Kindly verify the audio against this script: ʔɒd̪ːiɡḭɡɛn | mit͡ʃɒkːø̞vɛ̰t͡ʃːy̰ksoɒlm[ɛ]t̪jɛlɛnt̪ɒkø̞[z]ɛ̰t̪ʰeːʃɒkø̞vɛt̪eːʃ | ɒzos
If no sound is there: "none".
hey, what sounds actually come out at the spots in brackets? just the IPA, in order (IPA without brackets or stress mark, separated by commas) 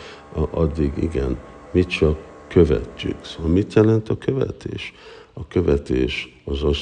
i, v